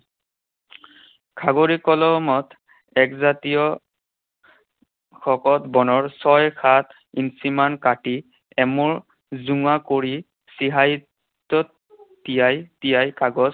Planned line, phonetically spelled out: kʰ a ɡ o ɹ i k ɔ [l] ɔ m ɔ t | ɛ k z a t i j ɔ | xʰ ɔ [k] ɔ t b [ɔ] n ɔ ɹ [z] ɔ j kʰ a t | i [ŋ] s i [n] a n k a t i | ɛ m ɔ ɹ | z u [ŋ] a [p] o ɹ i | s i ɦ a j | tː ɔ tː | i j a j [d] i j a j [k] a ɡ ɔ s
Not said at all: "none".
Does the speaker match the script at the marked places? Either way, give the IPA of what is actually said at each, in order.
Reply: l, k, ɔ, s, n, m, ŋ, k, t, k

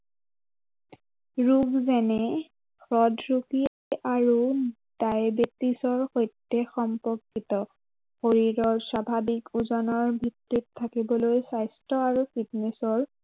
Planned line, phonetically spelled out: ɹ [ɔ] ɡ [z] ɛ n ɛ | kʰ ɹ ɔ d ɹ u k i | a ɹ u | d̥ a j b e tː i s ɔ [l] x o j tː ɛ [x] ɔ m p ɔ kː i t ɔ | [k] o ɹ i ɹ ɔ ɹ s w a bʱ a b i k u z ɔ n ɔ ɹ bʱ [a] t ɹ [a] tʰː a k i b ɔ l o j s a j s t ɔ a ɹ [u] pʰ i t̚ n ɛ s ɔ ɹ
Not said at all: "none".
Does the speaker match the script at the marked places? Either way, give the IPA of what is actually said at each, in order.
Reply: u, z, ɹ, x, x, i, i, u

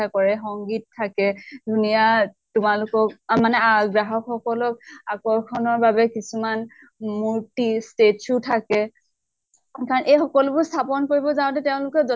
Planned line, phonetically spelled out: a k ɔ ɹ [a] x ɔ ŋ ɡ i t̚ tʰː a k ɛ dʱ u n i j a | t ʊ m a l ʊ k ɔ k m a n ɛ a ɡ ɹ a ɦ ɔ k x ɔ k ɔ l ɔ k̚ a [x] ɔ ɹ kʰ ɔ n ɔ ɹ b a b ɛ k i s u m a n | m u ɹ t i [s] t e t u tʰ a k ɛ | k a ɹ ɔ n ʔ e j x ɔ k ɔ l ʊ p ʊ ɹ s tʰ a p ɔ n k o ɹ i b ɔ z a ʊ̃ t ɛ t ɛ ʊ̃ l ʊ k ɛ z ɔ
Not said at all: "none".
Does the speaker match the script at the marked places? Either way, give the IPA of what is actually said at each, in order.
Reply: ɛ, k, s

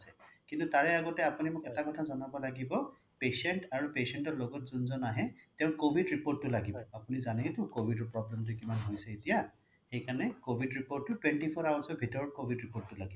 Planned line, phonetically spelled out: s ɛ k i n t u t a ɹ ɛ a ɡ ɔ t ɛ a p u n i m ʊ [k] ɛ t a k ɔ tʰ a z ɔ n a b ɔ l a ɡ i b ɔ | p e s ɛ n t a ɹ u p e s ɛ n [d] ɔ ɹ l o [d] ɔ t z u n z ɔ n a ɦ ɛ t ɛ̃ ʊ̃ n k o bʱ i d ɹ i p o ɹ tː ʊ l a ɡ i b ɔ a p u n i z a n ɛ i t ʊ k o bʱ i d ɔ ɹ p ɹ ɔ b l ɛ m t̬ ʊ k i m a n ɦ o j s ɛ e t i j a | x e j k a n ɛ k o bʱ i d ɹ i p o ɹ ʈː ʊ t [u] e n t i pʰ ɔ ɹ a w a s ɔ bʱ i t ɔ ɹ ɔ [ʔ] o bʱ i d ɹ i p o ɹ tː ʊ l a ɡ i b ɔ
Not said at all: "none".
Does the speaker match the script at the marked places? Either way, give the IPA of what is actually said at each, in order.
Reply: k, t, ɡ, w, k

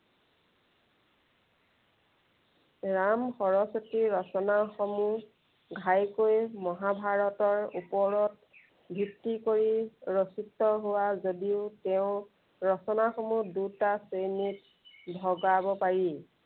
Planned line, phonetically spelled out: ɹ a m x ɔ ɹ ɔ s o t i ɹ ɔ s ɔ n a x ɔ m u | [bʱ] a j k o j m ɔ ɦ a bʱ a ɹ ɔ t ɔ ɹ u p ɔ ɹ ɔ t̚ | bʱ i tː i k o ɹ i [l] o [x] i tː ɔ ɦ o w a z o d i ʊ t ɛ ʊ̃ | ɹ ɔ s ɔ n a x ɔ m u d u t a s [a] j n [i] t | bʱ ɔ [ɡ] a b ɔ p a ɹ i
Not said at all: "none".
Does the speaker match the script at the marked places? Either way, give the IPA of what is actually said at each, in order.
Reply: ɡʱ, ɹ, s, e, i, ɡ

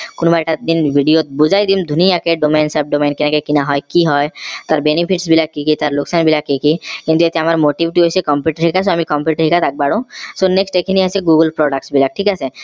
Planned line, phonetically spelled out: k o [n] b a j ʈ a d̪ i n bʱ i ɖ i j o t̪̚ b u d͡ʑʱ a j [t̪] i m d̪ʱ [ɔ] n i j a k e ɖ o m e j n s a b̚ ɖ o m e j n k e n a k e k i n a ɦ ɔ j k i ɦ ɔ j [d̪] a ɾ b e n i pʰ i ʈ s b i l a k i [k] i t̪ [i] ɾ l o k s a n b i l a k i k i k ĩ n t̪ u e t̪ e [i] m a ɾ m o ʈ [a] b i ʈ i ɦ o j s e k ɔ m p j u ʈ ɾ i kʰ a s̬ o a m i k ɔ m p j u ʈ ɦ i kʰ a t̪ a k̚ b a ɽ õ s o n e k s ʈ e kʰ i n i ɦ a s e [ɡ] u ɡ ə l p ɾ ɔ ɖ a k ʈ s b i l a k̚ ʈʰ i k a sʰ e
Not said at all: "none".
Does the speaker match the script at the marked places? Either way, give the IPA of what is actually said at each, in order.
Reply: n, d̪, u, t̪, k, a, a, i, ɡ

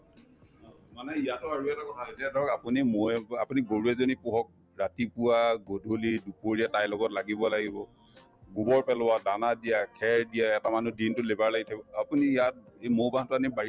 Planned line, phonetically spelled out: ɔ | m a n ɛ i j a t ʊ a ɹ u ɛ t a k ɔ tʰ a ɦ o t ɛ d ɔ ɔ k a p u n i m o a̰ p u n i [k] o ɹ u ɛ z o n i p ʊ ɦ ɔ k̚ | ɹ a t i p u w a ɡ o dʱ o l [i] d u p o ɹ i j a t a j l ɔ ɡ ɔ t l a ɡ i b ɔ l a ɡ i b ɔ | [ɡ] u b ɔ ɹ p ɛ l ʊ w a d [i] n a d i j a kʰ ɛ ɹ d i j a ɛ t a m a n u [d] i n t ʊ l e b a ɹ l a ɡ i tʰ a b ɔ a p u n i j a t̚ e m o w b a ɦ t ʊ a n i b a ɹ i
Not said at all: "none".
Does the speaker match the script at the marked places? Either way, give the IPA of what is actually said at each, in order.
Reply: ɡ, i, ɡ, a, d

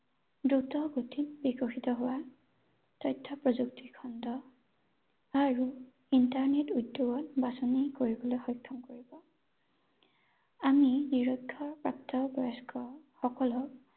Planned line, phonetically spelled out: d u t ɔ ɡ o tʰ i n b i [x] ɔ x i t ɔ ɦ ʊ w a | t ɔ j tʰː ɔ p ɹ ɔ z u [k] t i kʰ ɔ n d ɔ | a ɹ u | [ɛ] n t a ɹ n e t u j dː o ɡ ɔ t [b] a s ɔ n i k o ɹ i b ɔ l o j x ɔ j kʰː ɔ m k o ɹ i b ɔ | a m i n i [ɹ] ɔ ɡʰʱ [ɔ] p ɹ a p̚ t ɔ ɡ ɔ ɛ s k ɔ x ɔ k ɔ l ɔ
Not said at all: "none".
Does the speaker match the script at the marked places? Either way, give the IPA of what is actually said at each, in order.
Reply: k, k, i, b, ɹ, ɔ

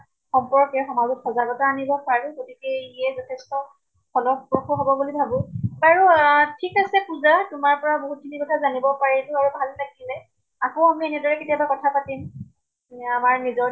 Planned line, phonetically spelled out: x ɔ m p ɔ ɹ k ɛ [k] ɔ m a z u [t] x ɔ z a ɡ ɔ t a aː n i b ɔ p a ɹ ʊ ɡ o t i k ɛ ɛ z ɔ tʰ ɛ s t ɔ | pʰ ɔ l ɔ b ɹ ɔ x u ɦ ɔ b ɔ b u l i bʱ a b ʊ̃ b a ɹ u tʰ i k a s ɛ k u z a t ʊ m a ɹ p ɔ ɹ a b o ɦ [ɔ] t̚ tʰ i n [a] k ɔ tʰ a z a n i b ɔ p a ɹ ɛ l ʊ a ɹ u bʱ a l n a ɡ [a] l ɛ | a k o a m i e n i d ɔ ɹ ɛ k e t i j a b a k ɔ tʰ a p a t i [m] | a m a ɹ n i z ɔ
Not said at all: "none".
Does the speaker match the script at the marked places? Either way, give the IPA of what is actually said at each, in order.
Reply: x, t, u, i, i, m

